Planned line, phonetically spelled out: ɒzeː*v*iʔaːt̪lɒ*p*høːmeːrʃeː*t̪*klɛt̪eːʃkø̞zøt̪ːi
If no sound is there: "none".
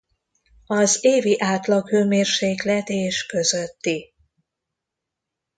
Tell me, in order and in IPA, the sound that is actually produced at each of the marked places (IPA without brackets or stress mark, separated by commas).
v, k, none